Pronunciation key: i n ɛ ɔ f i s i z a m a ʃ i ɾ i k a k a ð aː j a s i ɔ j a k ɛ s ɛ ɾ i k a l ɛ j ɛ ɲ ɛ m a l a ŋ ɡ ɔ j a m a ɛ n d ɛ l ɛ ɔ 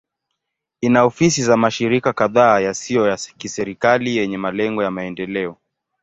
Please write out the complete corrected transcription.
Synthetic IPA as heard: i n a ɔ f i s i z a m a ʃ i ɾ i k a k a ð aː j a s i ɔ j a k i s ɛ ɾ i k a l i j ɛ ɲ ɛ m a l ɛ ŋ ɡ ɔ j a m a ɛ n d ɛ l ɛ ɔ